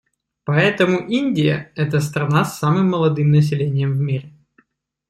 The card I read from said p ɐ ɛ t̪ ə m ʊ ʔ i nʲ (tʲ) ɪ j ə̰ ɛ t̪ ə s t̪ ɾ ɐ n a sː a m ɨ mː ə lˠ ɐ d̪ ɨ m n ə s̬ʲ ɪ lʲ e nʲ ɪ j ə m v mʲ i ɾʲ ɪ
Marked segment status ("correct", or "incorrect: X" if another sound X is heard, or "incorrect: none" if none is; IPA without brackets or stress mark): incorrect: dʲ